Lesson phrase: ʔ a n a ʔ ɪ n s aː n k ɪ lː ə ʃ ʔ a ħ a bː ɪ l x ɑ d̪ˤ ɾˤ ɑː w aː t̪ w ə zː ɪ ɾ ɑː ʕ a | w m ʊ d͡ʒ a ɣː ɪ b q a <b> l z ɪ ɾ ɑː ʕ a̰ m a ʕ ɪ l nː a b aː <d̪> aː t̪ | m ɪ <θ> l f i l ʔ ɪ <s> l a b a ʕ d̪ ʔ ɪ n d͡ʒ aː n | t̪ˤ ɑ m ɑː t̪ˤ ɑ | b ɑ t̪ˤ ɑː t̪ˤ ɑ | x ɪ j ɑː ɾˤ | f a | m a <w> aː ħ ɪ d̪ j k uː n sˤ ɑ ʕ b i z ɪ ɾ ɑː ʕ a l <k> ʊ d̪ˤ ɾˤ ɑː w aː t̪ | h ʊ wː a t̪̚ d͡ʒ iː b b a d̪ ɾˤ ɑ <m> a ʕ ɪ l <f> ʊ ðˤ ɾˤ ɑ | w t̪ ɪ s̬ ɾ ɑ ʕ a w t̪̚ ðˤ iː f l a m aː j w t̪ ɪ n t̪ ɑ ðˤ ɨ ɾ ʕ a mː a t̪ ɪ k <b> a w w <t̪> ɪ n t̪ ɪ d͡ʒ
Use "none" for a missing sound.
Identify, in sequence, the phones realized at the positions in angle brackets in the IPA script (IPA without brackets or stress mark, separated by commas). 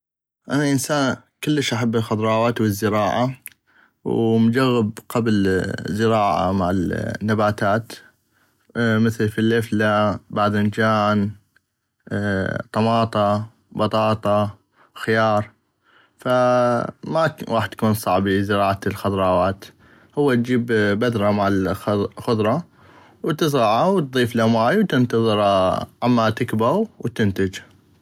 b, t̪, θ, f, w, x, m, x, b, t̪